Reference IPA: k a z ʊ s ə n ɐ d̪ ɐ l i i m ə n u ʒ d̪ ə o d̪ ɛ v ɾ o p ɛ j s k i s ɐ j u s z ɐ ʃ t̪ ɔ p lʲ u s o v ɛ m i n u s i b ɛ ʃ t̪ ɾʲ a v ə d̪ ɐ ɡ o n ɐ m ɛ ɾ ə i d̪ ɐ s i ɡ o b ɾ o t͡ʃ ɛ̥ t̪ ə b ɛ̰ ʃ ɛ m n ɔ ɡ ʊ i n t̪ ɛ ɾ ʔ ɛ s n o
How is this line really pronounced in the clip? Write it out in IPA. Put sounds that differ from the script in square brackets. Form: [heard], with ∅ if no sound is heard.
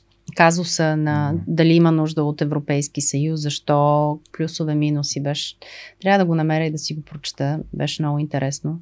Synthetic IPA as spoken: k a z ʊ s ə n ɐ d̪ ɐ l i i m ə n u ʒ d̪ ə o [t̪] ɛ v ɾ o p ɛ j s k i s ɐ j u s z ɐ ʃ t̪ ɔ p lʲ u s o v ɛ m i n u s i b ɛ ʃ t̪ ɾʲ a v ə d̪ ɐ ɡ o n ɐ m ɛ ɾ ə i d̪ ɐ s i ɡ o [p] ɾ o t͡ʃ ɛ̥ t̪ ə b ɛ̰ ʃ ɛ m n ɔ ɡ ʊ i n t̪ ɛ ɾ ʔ ɛ s n o